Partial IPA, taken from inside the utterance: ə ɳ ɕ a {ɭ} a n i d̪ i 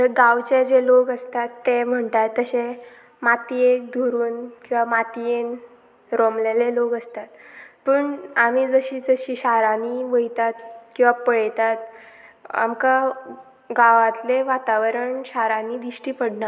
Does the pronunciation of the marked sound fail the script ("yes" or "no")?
yes